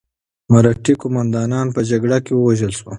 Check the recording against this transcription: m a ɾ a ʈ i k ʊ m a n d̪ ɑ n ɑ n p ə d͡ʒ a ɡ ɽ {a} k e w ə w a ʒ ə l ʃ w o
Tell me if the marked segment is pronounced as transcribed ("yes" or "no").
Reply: yes